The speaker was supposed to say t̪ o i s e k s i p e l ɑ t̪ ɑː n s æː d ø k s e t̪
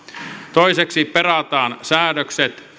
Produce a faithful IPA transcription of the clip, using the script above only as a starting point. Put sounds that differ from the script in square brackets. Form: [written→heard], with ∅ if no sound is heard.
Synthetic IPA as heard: t̪ o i s e k s i p e [l→r] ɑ t̪ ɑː n s æː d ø k s e t̪